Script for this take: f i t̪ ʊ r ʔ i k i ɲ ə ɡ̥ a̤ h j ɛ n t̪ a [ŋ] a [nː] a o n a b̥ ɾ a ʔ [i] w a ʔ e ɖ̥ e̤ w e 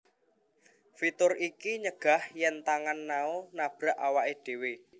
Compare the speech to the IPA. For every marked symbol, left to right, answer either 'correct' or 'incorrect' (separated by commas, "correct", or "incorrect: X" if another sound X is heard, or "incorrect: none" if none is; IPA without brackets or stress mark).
correct, correct, incorrect: a